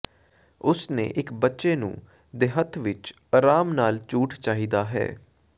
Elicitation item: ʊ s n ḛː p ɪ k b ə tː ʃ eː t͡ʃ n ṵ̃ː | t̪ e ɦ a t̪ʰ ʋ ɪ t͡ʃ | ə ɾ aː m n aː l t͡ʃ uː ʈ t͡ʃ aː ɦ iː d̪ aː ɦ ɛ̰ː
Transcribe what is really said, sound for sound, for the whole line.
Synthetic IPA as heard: ʊ s n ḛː ʔ ɪ k b ə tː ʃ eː n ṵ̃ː | d̪ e ɦ ə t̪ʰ ʋ ɪ t͡ʃ | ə ɾ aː m n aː l t͡ʃ uː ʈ t͡ʃ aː ɦ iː d̪ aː ɦ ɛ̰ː